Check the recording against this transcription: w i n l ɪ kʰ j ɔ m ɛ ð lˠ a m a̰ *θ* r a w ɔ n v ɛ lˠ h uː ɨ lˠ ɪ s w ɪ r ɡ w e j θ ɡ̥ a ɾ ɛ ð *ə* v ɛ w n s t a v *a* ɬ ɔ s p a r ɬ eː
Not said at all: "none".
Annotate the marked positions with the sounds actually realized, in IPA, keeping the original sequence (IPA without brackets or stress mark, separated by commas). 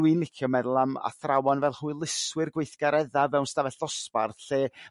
θ, a, ɛ